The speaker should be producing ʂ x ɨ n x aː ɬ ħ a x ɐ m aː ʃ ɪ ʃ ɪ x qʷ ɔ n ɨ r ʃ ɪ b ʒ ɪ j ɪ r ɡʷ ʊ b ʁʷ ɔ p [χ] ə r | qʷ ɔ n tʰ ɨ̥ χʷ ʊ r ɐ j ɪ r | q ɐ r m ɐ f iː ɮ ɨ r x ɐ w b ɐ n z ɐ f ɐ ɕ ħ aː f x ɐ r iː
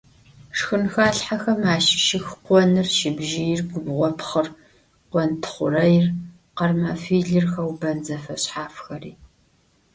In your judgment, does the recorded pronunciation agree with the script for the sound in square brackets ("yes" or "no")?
yes